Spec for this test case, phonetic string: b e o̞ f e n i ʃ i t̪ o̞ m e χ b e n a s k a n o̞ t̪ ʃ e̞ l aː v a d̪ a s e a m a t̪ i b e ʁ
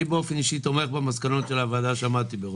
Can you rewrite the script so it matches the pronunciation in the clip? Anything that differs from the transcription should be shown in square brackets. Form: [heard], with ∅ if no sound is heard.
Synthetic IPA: b e o̞ f e n i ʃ i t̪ o̞ m e χ b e [m] a s k a n o̞ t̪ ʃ e̞ l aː v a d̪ a [ʃ] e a m a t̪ i b e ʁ